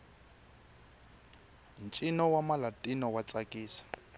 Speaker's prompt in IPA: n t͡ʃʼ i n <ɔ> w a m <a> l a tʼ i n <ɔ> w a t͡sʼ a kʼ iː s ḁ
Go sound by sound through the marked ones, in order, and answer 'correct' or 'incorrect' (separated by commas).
correct, correct, correct